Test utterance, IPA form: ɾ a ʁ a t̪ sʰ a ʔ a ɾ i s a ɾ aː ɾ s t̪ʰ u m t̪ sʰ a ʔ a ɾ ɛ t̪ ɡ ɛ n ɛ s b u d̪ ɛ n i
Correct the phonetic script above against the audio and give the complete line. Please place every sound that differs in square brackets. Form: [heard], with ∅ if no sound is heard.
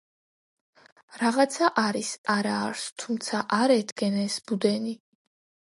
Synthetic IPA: ɾ a ʁ a t̪ sʰ a ʔ a ɾ i s a ɾ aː ɾ s t̪ʰ u m t̪ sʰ a ʔ a ɾ ɛ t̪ ɡ ɛ n ɛ s b u d̪ ɛ n i